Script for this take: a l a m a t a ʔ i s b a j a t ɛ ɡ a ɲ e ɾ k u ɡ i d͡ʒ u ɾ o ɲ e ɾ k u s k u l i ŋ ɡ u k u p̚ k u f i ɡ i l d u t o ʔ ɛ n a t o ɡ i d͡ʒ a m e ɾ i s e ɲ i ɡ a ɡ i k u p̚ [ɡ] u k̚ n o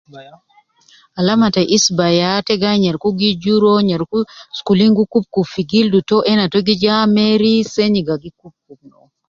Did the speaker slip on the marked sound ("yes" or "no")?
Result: yes